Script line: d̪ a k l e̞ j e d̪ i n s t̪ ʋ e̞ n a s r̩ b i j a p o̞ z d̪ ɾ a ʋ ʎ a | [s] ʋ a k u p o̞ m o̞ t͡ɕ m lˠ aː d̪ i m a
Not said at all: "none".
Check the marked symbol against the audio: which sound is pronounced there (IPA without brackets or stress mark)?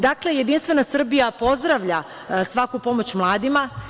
s